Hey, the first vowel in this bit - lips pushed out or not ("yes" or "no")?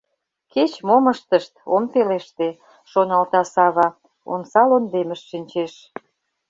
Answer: no